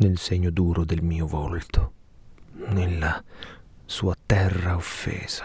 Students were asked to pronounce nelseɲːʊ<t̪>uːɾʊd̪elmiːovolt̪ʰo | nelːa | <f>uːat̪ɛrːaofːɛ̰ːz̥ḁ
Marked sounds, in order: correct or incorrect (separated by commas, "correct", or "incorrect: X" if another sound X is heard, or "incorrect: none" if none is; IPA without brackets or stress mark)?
incorrect: d̪, incorrect: s